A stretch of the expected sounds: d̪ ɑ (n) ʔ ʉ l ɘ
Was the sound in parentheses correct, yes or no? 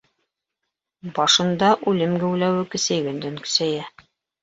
no